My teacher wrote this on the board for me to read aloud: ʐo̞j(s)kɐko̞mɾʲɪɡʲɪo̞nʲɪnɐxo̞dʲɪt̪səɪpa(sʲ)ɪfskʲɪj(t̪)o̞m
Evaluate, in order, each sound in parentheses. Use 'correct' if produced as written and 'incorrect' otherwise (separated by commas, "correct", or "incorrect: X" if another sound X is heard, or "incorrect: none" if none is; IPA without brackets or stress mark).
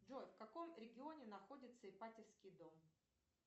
incorrect: f, incorrect: tʲ, incorrect: d̪